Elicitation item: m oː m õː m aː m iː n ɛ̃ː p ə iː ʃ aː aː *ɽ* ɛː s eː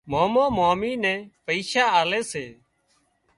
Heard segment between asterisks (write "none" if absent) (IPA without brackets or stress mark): l